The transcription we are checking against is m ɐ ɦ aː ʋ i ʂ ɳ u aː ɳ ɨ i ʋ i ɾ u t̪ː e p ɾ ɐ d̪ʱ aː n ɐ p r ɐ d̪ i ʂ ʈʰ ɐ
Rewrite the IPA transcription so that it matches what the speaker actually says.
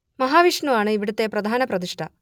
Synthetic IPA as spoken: m ɐ ɦ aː ʋ i ʂ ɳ u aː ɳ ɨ i ʋ i ɽ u t̪ː e p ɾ ɐ d̪ʱ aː n ɐ p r ɐ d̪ i ʂ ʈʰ ɐ